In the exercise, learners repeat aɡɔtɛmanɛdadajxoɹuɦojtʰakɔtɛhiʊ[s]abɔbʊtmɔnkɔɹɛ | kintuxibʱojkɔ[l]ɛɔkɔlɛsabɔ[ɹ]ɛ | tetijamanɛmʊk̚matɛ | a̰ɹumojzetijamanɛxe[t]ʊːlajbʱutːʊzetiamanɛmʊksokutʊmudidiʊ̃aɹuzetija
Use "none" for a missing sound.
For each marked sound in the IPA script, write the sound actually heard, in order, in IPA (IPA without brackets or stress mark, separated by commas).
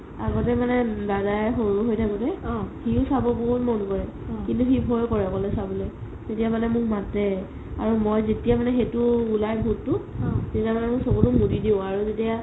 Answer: s, ɹ, l, t